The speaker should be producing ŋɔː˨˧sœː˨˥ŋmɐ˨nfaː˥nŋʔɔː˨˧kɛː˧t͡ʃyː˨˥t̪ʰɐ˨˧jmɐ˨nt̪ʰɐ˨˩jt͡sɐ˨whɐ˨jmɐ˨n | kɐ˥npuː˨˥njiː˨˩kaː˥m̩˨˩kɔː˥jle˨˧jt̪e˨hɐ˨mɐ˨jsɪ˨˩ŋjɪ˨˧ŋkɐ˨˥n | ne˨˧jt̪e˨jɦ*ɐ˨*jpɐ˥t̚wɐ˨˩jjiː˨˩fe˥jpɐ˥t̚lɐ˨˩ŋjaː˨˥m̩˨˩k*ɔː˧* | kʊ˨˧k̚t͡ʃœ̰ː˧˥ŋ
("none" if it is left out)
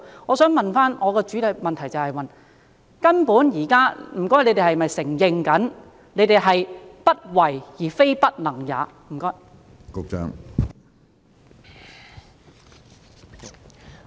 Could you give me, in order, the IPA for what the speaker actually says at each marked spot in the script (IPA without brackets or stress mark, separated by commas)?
ɐ˨, ɔː˥